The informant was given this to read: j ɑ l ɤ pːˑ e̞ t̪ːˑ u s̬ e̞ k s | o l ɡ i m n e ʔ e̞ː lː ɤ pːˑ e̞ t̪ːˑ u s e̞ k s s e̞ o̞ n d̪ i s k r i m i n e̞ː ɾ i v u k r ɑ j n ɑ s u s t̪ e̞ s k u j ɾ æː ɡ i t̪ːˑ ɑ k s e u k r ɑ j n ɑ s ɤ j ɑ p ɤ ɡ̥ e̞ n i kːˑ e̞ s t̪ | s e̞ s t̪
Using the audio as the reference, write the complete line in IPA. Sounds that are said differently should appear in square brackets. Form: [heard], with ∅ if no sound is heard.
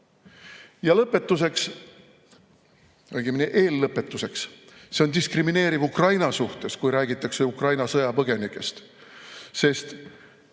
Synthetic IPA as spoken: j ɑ l ɤ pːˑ e̞ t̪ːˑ u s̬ e̞ k s | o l ɡ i m n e ʔ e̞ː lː ɤ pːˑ e̞ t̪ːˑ u s e̞ k s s e̞ o̞ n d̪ i s k r i m i n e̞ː ɾ i v u k r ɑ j n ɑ s u [h] t̪ e̞ s k u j ɾ æː ɡ i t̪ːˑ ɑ k s e u k r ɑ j n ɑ s ɤ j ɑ p ɤ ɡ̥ e̞ n i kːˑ e̞ s t̪ | s e̞ s t̪

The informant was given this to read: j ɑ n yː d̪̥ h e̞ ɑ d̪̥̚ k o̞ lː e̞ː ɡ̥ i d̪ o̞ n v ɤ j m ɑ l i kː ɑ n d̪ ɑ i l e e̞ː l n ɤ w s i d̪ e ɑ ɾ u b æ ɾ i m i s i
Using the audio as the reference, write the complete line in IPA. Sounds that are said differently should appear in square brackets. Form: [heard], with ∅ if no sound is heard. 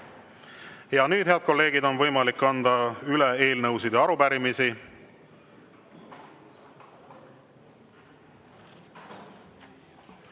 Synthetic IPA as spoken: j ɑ n yː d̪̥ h e̞ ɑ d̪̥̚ k o̞ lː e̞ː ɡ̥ i d̪ o̞ n v ɤ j m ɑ l i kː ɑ n d̪ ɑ [y] l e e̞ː l n ɤ w s i d̪ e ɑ ɾ u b æ ɾ i m i s i

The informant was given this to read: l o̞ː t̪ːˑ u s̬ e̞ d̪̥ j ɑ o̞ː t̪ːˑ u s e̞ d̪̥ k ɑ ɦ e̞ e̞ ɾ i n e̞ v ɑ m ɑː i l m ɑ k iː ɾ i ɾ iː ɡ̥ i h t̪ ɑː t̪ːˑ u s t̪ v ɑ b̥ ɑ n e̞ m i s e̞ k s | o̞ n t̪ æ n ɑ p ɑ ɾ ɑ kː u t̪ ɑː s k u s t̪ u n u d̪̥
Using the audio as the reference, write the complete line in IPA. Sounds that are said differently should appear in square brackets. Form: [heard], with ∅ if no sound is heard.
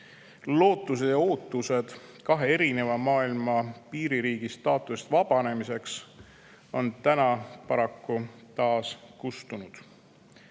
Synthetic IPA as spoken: l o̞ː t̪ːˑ u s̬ e̞ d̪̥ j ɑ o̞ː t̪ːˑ u s e̞ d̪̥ k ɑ ɦ e̞ e̞ ɾ i n e̞ v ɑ m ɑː i l m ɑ [p] iː ɾ i ɾ iː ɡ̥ i [s] t̪ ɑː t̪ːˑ u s t̪ v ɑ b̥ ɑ n e̞ m i s e̞ k s | o̞ n t̪ æ n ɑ p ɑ ɾ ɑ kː u t̪ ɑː s k u s t̪ u n u d̪̥

